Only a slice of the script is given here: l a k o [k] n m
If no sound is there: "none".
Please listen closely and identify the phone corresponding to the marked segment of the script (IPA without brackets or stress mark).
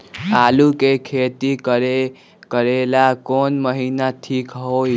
none